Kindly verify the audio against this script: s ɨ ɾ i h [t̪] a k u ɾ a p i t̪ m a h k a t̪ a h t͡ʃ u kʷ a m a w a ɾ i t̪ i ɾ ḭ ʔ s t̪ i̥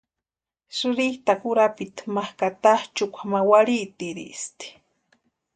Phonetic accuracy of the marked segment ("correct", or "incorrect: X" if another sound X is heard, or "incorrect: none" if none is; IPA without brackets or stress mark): correct